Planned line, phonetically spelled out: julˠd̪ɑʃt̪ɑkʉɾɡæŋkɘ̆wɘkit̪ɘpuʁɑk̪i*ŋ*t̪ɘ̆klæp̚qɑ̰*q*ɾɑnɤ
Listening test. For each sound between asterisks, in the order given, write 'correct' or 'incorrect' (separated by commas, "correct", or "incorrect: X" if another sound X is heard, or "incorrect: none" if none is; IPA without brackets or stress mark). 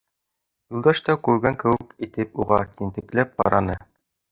incorrect: n, incorrect: none